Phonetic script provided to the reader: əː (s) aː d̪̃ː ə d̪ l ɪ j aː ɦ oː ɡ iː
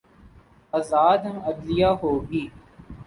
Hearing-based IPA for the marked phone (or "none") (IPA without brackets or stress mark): z